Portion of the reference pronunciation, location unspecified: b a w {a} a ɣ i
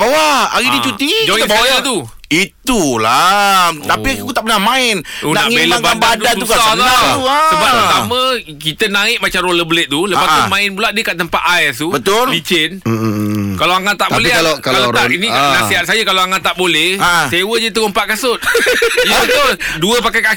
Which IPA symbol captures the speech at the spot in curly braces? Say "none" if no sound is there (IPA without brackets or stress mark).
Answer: a